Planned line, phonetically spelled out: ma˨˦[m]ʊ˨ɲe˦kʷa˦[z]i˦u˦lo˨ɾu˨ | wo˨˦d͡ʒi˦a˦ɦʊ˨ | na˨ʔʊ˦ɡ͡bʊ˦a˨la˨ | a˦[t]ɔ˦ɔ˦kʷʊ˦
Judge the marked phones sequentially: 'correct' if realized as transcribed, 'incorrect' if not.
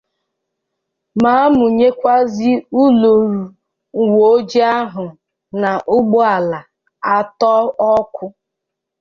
correct, correct, correct

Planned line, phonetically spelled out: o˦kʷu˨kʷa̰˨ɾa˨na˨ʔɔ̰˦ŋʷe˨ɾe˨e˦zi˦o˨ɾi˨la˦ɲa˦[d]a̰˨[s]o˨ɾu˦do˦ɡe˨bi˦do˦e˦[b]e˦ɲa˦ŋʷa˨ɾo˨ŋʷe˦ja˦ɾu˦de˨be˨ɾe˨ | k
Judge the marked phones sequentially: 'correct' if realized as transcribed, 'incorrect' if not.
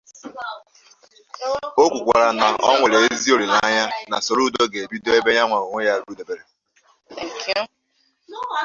incorrect, correct, correct

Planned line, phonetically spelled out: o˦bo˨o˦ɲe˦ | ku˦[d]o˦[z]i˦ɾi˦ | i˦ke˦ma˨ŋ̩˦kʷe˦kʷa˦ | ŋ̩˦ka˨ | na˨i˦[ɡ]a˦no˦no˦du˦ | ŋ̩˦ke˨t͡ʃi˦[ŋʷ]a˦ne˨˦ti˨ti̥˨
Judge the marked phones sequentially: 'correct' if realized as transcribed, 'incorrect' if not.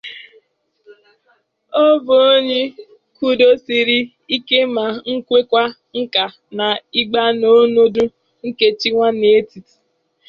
correct, incorrect, incorrect, correct

